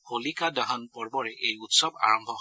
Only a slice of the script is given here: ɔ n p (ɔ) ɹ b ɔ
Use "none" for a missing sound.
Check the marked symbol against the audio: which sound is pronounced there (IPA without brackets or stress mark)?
ɔ